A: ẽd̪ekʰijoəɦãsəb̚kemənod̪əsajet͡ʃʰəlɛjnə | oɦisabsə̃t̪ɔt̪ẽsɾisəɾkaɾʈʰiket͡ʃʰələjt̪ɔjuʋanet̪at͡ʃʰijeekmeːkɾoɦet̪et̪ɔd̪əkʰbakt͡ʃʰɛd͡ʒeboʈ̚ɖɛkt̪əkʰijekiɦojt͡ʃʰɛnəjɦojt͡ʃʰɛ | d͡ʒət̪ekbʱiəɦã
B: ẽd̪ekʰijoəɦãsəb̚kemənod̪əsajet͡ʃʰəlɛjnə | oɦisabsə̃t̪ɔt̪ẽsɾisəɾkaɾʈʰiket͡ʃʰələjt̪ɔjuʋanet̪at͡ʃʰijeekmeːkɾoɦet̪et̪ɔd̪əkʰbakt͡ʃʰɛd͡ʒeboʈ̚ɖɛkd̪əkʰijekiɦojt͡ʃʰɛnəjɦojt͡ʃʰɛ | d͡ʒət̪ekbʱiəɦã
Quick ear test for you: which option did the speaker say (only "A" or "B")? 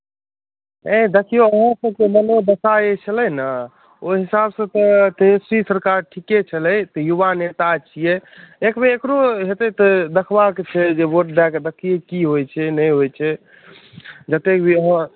B